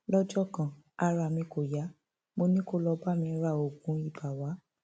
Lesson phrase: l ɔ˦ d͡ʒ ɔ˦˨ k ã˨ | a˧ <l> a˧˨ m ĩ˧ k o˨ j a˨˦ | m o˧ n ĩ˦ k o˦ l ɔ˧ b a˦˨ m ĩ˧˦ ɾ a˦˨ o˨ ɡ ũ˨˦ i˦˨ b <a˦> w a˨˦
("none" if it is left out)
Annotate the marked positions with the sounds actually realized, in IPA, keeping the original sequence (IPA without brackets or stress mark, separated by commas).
ɾ, a˨